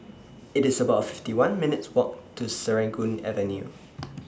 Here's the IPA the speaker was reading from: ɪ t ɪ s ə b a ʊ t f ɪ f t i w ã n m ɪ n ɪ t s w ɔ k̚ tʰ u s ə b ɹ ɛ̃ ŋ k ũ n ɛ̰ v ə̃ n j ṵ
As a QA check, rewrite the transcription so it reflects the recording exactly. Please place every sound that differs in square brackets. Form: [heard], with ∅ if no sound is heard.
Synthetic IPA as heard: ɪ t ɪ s ə b a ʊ t f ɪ f t i w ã n m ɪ n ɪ t s w ɔ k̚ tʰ u s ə [∅] ɹ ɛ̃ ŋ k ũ n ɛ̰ v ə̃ n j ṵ